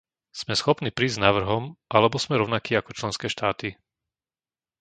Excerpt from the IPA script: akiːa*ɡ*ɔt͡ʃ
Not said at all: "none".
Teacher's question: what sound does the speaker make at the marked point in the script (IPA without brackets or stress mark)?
k